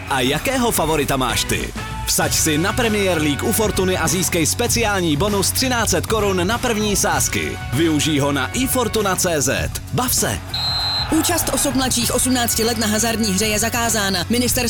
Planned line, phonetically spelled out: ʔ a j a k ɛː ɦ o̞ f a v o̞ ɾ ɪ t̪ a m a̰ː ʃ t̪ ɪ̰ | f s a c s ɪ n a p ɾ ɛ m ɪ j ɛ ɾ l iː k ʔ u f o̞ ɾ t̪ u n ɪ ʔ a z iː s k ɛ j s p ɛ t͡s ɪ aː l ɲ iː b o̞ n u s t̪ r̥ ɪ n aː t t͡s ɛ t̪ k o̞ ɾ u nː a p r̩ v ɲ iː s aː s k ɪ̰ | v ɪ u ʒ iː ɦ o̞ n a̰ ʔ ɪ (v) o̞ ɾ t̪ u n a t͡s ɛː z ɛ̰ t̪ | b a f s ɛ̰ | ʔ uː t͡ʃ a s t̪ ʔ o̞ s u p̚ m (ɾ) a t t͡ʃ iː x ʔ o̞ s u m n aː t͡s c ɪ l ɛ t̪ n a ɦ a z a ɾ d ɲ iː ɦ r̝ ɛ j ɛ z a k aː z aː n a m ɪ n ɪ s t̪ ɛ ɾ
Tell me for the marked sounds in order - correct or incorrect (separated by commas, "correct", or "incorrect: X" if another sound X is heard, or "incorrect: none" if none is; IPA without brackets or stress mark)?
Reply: incorrect: f, incorrect: l